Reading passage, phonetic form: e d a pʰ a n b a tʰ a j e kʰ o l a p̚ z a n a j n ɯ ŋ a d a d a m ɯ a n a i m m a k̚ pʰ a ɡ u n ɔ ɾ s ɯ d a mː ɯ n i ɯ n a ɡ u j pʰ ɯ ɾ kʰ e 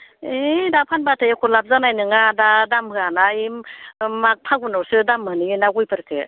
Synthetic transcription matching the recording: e d a pʰ a n b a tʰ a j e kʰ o l a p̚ z a n a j n ɯ ŋ a d a d a m ɯ a n a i m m a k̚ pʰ a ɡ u n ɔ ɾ s ɯ d a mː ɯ n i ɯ n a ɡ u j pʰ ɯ ɾ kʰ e